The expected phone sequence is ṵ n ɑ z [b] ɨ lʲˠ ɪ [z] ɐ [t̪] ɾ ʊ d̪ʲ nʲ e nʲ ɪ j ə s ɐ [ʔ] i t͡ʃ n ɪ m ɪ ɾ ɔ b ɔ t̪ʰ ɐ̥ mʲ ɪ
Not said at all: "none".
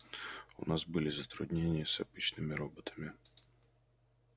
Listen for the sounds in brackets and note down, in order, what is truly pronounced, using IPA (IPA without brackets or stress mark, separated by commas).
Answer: b, z, t̪, p